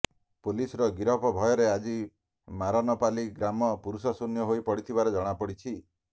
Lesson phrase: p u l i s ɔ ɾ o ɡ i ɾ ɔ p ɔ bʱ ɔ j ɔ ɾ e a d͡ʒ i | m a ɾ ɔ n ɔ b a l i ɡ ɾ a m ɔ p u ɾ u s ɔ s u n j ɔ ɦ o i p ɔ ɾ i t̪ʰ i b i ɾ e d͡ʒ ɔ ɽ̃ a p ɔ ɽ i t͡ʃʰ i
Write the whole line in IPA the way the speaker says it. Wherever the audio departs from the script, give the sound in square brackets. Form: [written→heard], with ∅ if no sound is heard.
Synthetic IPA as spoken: p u l i s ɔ ɾ [o→ɔ] ɡ i ɾ ɔ p ɔ bʱ ɔ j ɔ ɾ e a d͡ʒ i | m a ɾ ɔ n ɔ [b→p] a l i ɡ ɾ a m ɔ p u ɾ u s ɔ s u n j ɔ ɦ o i p ɔ [ɾ→ɽ] i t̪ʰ i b [i→a] ɾ e d͡ʒ ɔ ɽ̃ a p ɔ ɽ i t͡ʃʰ i

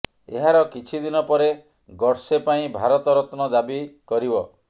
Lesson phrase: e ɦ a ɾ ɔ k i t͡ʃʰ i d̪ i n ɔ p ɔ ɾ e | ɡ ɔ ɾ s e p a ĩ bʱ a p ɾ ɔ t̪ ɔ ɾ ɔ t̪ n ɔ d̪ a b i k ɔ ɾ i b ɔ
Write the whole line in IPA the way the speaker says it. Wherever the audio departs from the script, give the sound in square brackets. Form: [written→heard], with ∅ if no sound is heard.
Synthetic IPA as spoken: e ɦ a ɾ ɔ k i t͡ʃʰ i d̪ i n ɔ p ɔ ɾ e | ɡ ɔ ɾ s e p a ĩ bʱ a [p→∅] ɾ ɔ t̪ ɔ ɾ ɔ t̪ n ɔ d̪ a b i k ɔ ɾ i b ɔ

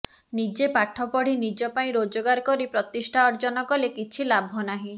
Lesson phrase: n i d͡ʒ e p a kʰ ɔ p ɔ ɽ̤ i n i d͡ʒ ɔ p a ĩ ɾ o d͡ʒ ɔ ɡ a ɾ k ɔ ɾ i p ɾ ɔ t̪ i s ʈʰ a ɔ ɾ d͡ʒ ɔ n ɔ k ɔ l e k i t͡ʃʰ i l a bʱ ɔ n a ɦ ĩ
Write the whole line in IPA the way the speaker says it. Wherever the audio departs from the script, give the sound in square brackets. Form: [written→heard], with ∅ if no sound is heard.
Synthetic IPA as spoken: n i d͡ʒ e p a [kʰ→ʈʰ] ɔ p ɔ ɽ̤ i n i d͡ʒ ɔ p a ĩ ɾ o d͡ʒ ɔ ɡ a ɾ k ɔ ɾ i p ɾ ɔ t̪ i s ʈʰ a ɔ ɾ d͡ʒ ɔ n ɔ k ɔ l e k i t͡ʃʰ i l a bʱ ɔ n a ɦ ĩ

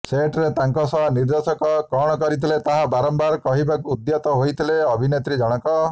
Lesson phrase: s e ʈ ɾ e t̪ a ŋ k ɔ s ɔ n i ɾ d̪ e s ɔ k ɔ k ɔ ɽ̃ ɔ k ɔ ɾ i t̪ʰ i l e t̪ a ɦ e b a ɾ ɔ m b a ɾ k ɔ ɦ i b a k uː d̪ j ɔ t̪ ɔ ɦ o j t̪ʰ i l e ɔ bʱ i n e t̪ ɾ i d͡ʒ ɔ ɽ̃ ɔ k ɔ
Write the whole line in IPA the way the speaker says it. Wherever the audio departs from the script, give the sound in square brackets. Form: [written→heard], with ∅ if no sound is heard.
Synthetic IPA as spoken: s e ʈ ɾ e t̪ a ŋ k ɔ s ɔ n i ɾ d̪ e s ɔ k ɔ k ɔ ɽ̃ ɔ k ɔ ɾ i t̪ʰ i l e t̪ a ɦ [e→a] b a ɾ ɔ m b a ɾ k ɔ ɦ i b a k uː d̪ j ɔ t̪ ɔ ɦ o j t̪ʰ i l e ɔ bʱ i n e t̪ ɾ i d͡ʒ ɔ ɽ̃ ɔ k ɔ

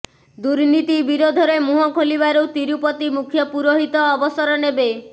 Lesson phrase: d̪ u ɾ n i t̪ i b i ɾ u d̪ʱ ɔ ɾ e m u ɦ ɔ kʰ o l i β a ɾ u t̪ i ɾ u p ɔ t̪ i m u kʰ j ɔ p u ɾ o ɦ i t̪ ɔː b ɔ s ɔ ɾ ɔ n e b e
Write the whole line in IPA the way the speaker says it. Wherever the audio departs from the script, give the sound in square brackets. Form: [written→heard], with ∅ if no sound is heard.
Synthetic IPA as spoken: d̪ u ɾ n i t̪ i b i ɾ [u→o] d̪ʱ ɔ ɾ e m u ɦ ɔ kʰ o l i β a ɾ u t̪ i ɾ u p ɔ t̪ i m u kʰ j ɔ p u ɾ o ɦ i t̪ ɔː b ɔ s ɔ ɾ ɔ n e b e

